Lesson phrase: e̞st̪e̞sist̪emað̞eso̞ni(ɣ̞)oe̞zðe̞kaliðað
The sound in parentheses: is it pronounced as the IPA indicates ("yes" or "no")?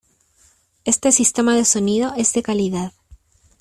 no